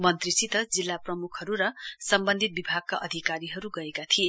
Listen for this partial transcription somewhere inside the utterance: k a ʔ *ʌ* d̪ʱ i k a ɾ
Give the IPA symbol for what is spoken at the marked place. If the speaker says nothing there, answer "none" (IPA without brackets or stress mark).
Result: ʌ